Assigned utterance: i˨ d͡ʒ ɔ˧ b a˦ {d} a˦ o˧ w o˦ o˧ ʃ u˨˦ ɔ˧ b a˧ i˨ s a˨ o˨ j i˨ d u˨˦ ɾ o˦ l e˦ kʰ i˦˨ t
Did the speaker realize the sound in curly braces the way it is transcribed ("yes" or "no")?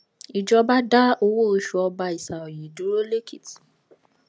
yes